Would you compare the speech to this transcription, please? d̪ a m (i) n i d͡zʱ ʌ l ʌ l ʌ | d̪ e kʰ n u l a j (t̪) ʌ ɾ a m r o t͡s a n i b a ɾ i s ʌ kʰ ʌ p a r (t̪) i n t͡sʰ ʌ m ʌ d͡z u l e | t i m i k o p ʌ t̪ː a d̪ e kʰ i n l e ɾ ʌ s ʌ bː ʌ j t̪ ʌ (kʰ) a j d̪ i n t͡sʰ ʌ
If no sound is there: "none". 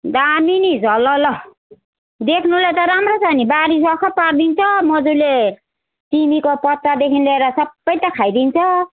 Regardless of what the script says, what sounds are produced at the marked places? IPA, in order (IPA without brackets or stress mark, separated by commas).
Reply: i, t̪, d̪, kʰ